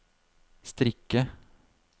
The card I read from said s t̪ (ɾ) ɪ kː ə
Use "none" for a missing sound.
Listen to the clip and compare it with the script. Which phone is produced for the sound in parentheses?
ɾ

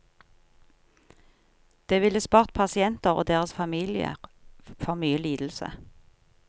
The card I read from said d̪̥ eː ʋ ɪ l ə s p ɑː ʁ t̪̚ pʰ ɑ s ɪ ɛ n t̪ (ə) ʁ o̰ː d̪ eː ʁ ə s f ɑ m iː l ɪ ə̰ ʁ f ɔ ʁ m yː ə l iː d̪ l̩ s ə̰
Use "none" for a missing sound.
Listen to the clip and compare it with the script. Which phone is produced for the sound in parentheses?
ə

